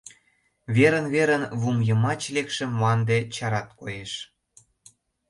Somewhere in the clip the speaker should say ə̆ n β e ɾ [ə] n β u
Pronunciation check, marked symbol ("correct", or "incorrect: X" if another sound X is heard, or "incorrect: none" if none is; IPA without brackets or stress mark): correct